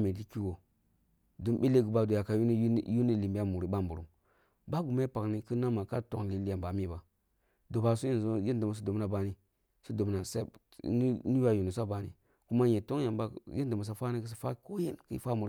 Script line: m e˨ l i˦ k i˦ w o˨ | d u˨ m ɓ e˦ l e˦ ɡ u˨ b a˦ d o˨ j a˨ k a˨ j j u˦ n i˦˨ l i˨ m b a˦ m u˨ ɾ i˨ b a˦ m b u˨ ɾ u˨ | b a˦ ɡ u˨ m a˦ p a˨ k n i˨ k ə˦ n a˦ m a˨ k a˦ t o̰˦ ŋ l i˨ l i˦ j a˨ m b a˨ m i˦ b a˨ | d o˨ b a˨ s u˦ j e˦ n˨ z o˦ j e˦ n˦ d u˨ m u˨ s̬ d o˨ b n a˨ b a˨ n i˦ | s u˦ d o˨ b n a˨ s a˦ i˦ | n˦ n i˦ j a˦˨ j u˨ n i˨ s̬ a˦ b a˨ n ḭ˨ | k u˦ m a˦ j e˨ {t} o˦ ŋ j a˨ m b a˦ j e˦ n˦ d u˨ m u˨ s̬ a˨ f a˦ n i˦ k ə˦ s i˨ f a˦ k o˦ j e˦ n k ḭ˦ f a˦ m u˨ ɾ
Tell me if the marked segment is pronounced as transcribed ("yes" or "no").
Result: yes